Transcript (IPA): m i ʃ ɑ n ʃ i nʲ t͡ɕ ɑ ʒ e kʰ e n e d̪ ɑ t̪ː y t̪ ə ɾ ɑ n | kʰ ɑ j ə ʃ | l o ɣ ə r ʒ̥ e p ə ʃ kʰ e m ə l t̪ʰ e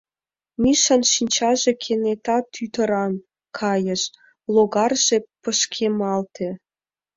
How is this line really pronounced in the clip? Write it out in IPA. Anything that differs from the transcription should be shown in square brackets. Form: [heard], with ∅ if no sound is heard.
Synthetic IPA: m i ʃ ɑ n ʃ i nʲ t͡ɕ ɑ ʒ e kʰ e n e [t̪] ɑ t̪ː y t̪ ə ɾ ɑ n | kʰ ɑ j ə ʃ | l o ɣ [ɑ] r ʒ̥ e p ə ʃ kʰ e m [ɑ] l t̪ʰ e

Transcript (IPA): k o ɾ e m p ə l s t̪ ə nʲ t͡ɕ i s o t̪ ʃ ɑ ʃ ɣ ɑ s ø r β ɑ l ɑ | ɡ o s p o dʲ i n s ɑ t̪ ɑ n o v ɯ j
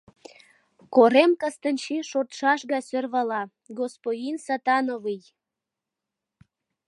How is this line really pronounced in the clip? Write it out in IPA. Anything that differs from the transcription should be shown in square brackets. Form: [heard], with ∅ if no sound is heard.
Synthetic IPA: k o ɾ e m [k] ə [∅] s t̪ ə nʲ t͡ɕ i [ʃ] o t̪ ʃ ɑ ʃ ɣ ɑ s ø r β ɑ l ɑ | ɡ o s p o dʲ i n s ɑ t̪ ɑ n o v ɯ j

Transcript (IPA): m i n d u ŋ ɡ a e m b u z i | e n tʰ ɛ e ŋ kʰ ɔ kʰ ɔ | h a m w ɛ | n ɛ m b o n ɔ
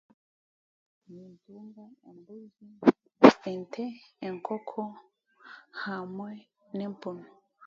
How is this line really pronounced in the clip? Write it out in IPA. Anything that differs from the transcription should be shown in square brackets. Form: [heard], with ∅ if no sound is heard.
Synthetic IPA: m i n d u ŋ ɡ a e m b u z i | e n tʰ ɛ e ŋ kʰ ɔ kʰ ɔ | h a m w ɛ | n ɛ m [p] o n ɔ

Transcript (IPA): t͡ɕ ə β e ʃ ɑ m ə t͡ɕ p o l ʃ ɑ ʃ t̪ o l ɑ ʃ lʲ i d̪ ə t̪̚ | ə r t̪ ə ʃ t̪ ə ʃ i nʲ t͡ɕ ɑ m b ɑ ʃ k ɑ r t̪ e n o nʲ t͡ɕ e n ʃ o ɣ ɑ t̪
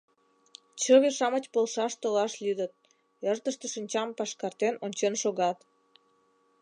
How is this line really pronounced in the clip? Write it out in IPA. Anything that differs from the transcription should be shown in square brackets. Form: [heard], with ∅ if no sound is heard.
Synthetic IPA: t͡ɕ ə β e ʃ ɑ m ə t͡ɕ p o l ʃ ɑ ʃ t̪ o l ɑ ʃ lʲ [y] d̪ ə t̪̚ | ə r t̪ ə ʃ t̪ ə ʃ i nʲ t͡ɕ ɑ m [p] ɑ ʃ k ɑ r t̪ e n o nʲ t͡ɕ e n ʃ o ɣ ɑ t̪

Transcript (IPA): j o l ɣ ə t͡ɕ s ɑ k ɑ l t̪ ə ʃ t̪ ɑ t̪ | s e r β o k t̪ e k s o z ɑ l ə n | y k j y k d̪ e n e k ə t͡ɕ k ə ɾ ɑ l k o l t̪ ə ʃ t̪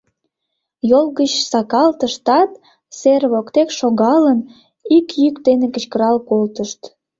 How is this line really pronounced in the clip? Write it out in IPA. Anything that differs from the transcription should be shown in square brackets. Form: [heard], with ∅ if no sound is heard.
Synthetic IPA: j o l ɣ ə t͡ɕ s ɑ k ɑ l t̪ ə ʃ t̪ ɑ t̪ | s e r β o k t̪ e k [ʃ] o [ɣ] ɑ l ə n | [i] k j y k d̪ e n e k ə t͡ɕ k ə ɾ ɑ l k o l t̪ ə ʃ t̪

